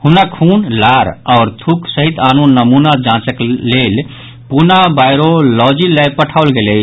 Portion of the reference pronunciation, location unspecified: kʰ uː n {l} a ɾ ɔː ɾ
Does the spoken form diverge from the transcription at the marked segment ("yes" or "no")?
no